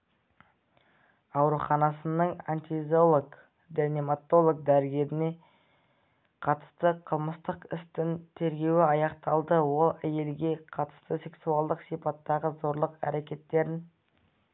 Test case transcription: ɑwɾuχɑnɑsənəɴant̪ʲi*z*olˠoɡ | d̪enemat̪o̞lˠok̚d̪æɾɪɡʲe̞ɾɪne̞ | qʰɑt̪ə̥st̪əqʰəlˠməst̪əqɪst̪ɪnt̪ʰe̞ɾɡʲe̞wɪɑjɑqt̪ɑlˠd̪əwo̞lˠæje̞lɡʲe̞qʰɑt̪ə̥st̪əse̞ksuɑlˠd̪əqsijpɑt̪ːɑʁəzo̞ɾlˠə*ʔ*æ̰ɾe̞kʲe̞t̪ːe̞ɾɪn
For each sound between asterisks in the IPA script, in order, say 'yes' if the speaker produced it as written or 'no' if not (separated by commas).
yes, no